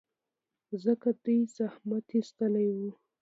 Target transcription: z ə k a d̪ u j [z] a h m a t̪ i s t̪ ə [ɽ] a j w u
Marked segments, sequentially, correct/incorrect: correct, incorrect: l

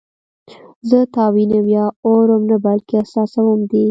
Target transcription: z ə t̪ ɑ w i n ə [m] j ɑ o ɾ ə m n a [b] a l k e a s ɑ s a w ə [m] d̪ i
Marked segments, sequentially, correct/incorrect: correct, correct, correct

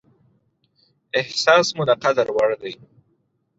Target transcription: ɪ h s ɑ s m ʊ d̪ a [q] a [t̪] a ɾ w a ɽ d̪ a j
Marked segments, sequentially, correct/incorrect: correct, incorrect: d̪

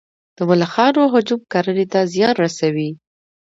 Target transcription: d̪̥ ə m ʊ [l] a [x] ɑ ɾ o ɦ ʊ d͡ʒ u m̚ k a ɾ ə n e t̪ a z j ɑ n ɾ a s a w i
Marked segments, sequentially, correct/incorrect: correct, correct

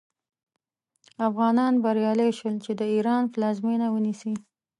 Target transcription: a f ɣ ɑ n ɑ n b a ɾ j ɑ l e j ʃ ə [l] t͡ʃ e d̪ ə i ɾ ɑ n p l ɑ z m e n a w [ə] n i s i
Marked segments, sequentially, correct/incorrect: correct, correct

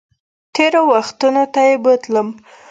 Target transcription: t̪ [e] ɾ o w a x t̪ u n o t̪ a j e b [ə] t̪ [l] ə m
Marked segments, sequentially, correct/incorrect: correct, correct, correct

